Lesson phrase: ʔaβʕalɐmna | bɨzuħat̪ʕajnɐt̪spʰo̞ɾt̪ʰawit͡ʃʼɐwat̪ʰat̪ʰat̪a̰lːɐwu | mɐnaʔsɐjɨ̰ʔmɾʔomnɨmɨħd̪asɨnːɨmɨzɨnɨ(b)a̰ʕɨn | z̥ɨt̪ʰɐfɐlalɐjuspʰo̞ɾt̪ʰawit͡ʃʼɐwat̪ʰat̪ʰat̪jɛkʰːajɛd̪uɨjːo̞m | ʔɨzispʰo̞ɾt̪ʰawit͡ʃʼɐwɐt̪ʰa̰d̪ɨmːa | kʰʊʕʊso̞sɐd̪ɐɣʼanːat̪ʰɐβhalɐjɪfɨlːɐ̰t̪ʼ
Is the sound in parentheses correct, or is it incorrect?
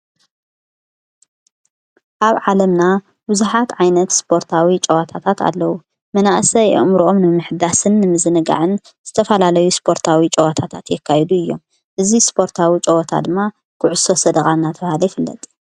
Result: incorrect